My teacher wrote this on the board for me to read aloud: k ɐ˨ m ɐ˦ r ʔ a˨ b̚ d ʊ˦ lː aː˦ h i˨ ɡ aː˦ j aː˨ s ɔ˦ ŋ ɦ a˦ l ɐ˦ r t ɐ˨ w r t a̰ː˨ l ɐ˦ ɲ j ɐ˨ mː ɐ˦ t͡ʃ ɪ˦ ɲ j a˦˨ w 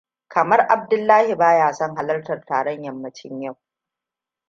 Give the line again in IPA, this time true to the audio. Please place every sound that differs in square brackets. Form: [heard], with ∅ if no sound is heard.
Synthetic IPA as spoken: k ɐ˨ m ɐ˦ r ʔ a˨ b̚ d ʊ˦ lː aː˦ h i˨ [b] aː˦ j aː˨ s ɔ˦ ŋ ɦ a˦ l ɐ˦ r t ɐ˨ [∅] r t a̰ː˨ [ɽ] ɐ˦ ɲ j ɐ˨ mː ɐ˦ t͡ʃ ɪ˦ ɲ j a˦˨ w